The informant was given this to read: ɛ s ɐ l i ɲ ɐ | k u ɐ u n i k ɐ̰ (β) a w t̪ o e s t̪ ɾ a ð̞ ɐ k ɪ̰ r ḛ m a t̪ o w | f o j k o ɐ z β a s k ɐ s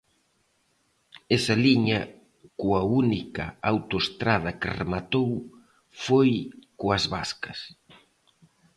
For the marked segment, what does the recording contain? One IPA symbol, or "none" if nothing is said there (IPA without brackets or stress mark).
none